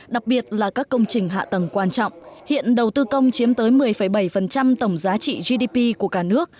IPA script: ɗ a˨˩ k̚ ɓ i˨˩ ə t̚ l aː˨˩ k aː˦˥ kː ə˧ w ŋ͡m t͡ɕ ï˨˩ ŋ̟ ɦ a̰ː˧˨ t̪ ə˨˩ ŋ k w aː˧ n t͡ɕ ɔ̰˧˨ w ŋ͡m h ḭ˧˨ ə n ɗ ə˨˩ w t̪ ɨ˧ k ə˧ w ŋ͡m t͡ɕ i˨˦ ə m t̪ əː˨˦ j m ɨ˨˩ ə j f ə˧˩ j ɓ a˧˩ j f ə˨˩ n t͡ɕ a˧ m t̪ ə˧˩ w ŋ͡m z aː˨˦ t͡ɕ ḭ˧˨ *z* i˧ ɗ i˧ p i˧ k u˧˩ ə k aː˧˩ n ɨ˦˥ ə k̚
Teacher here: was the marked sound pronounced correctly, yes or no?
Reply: yes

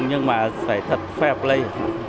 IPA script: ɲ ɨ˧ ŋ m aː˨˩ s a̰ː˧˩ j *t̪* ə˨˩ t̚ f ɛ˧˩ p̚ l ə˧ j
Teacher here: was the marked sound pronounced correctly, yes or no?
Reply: no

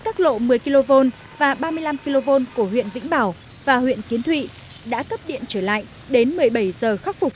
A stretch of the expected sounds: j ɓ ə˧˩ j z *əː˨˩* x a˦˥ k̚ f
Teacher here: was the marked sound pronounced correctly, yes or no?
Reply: yes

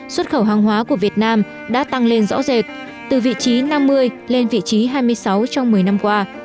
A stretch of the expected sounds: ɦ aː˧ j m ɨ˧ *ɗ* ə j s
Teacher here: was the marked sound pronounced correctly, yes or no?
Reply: no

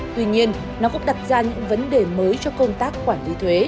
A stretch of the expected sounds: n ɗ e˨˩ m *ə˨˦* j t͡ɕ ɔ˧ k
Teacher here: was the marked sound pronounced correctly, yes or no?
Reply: no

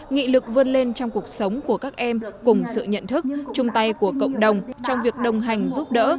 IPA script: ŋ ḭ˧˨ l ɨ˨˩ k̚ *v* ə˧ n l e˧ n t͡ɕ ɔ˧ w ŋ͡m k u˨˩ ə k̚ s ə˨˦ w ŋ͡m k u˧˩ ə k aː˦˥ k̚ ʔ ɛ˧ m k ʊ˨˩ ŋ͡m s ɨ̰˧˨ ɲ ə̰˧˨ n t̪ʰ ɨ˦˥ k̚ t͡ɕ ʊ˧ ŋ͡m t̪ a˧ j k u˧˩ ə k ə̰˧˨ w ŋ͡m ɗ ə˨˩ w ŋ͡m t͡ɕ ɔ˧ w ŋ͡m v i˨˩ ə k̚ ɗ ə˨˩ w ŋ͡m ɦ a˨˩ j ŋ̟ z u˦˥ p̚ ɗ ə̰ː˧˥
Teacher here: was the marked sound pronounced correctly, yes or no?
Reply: yes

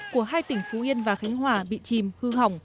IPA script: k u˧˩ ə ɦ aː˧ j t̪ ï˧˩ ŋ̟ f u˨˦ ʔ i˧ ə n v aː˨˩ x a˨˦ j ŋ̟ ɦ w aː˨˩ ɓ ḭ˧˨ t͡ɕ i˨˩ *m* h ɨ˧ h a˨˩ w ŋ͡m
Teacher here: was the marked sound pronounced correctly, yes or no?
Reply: yes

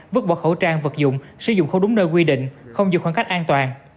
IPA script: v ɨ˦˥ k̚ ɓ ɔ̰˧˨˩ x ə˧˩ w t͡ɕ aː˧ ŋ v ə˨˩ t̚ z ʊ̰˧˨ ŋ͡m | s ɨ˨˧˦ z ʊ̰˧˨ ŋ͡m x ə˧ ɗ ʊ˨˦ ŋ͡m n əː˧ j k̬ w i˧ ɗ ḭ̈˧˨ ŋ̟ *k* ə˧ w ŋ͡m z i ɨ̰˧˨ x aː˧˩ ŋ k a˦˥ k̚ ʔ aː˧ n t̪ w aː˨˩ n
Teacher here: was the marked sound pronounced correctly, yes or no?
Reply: no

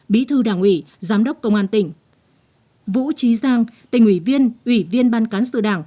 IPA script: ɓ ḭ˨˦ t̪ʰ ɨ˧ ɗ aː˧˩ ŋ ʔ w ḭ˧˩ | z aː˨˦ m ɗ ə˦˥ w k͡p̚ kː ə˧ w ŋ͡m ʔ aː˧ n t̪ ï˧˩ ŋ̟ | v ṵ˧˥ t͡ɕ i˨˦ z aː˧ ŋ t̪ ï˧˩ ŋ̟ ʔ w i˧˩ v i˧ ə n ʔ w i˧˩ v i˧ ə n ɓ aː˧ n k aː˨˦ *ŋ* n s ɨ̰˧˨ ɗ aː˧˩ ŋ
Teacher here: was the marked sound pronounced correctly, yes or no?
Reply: no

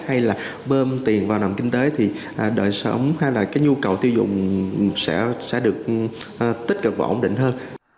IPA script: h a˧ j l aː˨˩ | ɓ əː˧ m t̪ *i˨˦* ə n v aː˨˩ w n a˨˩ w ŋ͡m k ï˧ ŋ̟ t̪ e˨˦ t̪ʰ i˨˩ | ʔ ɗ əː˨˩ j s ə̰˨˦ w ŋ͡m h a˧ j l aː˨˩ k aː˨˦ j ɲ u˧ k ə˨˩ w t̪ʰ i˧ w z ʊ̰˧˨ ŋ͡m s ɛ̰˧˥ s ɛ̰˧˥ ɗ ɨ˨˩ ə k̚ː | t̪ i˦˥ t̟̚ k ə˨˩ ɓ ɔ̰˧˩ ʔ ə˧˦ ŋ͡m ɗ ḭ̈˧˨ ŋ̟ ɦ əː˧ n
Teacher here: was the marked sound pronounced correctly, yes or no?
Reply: no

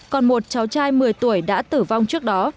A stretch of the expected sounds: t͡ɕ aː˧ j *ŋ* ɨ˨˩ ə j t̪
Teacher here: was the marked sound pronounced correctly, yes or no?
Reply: no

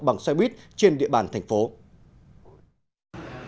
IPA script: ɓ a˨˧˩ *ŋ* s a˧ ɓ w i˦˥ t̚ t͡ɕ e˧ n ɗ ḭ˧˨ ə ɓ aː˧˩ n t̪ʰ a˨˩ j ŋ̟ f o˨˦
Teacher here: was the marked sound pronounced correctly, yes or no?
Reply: yes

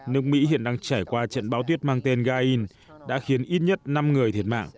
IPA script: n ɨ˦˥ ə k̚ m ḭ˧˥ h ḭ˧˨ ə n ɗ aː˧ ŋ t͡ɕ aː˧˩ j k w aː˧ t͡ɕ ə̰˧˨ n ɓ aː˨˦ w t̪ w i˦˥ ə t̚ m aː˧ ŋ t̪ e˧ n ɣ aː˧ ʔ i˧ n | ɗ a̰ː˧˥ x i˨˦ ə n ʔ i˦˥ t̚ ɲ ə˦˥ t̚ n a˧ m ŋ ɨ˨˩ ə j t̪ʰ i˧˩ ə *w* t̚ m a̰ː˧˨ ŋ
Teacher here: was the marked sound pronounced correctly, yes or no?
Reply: no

